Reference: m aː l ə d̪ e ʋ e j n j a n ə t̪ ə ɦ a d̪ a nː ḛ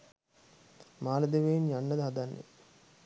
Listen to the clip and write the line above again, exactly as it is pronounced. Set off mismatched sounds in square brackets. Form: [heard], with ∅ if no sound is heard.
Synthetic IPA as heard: m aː l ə d̪ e ʋ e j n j a [nː] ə [d̪] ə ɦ a d̪ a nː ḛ